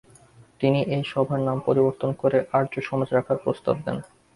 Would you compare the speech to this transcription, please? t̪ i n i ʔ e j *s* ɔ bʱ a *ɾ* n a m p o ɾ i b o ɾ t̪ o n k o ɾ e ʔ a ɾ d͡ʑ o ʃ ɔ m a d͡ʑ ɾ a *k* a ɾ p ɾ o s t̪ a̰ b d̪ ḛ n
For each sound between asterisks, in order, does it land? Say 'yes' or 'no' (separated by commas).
no, yes, no